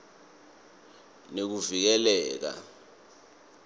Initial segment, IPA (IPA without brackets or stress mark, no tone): n